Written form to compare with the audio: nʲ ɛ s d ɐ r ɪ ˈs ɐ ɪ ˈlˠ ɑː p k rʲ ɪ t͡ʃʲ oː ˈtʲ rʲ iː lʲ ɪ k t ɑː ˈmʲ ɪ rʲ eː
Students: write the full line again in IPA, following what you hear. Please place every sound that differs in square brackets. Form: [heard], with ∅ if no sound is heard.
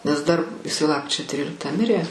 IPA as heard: nʲ ɛ s d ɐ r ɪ ˈs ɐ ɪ ˈlˠ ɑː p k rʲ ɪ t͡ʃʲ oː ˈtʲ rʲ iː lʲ ɪ k t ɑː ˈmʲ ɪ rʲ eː

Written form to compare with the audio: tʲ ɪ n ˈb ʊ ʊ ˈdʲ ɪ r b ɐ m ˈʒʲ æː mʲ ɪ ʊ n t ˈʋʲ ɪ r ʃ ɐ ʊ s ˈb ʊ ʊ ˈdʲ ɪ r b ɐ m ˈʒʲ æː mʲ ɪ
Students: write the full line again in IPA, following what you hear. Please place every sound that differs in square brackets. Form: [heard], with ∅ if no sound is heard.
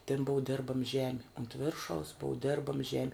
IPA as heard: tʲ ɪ n ˈb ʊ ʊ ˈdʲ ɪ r b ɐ m ˈʒʲ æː mʲ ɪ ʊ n t ˈʋʲ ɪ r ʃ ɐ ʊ s ˈb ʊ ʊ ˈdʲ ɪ r b ɐ m ˈʒʲ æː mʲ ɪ

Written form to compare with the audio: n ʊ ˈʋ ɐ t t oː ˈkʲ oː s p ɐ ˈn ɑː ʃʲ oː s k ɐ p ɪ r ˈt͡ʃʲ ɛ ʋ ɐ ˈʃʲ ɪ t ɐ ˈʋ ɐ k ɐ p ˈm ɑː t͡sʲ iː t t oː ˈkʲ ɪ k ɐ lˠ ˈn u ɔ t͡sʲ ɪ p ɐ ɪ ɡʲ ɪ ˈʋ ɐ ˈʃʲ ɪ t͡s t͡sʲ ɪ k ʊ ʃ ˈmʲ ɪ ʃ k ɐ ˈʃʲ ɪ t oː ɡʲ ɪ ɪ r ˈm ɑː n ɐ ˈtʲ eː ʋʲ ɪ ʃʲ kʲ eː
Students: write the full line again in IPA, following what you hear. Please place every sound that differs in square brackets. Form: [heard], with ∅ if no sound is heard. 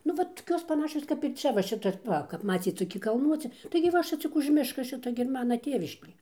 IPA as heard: n ʊ ˈʋ ɐ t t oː ˈkʲ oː s p ɐ ˈn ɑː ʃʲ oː s k ɐ p ɪ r ˈt͡ʃʲ ɛ ʋ ɐ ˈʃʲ ɪ t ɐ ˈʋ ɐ k ɐ p ˈm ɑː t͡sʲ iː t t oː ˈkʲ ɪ k ɐ lˠ ˈn u ɔ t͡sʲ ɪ [t] ɐ ɪ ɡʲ ɪ ˈʋ ɐ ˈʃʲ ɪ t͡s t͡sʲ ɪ k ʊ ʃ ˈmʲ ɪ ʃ k ɐ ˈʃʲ ɪ t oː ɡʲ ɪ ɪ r ˈm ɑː n ɐ ˈtʲ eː ʋʲ ɪ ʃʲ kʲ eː

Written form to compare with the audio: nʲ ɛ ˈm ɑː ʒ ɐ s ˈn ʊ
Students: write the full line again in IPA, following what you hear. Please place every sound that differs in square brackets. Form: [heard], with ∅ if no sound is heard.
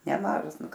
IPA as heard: nʲ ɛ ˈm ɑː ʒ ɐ s ˈn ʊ

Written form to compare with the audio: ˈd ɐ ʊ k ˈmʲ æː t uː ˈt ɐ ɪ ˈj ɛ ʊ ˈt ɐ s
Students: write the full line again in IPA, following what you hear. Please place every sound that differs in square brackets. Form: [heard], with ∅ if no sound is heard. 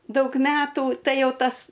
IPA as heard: ˈd ɐ ʊ k ˈmʲ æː t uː ˈt ɐ ɪ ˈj ɛ ʊ ˈt ɐ s

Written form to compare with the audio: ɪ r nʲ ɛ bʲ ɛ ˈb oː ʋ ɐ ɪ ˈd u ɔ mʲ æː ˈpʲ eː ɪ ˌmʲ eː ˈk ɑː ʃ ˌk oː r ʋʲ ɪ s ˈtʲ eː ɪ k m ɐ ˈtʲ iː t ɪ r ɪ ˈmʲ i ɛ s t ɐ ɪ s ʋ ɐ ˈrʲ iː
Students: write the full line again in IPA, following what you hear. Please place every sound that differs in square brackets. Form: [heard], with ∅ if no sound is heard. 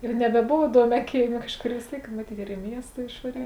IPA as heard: ɪ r nʲ ɛ bʲ ɛ ˈb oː ʋ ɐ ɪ ˈd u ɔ mʲ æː [ˈkʲ] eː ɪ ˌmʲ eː ˈk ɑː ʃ ˌk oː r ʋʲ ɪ s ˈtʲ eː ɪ k m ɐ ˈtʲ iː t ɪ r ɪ ˈmʲ i ɛ s t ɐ ɪ [ʃ] ʋ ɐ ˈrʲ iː

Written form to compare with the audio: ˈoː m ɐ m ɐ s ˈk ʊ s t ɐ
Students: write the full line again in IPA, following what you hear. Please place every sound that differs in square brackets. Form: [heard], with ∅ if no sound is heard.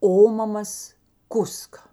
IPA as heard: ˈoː m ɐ m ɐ s ˈk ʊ s [k] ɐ

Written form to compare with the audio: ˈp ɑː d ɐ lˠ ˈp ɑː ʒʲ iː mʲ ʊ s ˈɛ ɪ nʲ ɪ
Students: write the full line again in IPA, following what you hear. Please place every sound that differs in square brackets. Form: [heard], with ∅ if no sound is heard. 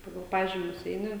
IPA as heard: ˈp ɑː [ɡ] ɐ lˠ ˈp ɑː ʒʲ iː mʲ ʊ s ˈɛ ɪ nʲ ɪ

